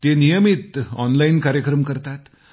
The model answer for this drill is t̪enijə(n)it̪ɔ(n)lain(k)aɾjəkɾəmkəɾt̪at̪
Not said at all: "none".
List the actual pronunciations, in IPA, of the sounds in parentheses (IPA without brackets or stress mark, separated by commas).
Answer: m, n, k